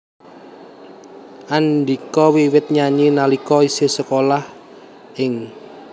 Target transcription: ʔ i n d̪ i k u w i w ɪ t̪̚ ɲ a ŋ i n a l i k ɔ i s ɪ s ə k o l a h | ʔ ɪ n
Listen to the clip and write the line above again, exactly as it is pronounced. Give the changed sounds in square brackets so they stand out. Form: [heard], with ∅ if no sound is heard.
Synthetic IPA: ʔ [a] n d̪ i k [ɔ] w i w ɪ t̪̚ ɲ a [ɲ] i n a l i k ɔ i s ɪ s ə k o l a h | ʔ ɪ [ŋ]